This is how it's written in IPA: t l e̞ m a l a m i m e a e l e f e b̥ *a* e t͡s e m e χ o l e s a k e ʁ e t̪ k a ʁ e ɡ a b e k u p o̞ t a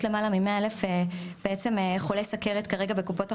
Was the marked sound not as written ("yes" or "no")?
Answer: yes